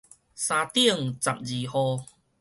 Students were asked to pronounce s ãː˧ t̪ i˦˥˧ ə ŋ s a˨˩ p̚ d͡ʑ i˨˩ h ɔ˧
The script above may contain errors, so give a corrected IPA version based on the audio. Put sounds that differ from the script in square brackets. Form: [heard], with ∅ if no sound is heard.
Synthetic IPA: s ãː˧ t̪ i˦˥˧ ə ŋ [t͡s] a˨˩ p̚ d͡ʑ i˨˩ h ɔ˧